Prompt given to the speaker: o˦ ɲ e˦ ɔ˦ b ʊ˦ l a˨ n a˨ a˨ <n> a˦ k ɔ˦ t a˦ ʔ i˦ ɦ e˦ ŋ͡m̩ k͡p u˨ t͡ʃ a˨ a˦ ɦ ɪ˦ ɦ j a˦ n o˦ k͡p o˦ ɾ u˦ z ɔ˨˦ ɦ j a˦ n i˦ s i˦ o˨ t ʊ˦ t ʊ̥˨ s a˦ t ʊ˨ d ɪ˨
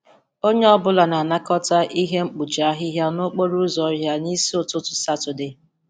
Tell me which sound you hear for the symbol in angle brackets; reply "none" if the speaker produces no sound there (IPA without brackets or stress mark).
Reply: n